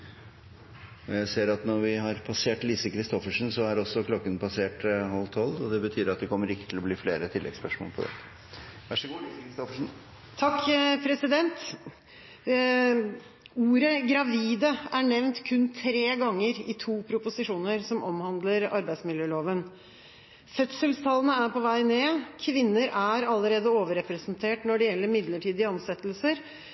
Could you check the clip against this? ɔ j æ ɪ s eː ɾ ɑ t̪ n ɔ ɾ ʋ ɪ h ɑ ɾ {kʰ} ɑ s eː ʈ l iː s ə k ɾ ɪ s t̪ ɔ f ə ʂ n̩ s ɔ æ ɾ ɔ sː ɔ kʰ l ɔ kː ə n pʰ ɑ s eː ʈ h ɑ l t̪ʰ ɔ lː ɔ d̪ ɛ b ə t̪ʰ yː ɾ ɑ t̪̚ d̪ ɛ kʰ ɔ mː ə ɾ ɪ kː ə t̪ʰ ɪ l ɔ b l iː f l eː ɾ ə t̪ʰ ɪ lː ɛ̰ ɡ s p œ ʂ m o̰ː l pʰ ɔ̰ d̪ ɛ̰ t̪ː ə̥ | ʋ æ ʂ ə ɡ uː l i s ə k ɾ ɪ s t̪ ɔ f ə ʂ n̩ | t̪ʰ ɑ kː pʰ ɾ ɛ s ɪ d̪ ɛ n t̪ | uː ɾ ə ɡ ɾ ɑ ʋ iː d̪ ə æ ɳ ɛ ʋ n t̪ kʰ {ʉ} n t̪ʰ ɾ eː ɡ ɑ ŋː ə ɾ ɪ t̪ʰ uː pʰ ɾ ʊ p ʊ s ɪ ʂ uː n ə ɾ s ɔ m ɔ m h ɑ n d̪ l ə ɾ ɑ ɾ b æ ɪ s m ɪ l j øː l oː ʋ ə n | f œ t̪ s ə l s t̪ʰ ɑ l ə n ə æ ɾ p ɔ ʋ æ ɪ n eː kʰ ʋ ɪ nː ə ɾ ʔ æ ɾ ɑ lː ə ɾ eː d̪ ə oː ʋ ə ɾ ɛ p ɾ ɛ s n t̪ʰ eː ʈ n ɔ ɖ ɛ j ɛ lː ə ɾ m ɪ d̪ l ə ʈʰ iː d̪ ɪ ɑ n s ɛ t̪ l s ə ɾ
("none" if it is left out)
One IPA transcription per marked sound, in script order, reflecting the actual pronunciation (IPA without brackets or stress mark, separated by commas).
pʰ, ʉ